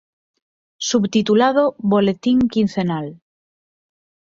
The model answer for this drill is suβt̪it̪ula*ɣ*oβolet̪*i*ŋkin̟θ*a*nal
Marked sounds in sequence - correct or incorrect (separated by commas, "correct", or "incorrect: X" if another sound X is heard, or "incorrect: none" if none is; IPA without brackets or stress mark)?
incorrect: ð, correct, incorrect: e